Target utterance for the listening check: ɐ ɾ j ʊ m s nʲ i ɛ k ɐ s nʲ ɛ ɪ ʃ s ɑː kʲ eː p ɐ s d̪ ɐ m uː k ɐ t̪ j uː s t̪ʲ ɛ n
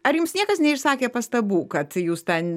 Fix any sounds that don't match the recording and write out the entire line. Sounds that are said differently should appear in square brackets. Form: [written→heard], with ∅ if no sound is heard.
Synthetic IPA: ɐ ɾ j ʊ m s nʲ i ɛ k ɐ s nʲ ɛ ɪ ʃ s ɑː kʲ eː p ɐ s [d̪→t̪] ɐ [m→b] uː k ɐ t̪ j uː s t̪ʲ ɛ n